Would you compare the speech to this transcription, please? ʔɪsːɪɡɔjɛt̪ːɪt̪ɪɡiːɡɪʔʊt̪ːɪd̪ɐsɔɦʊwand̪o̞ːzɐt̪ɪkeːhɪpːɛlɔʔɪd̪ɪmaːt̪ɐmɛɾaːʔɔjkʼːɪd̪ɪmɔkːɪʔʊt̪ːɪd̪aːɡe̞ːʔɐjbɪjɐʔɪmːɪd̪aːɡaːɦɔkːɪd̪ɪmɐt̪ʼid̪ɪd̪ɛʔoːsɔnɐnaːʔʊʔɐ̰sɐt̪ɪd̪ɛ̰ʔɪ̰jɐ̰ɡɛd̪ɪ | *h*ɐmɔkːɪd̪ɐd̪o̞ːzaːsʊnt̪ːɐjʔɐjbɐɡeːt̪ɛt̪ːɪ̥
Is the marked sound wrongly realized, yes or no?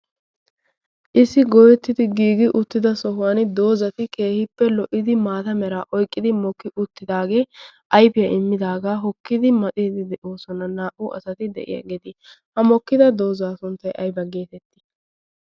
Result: no